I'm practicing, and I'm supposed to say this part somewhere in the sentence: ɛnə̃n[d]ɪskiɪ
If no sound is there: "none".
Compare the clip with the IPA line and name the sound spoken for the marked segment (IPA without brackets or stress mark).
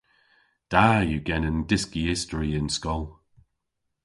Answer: d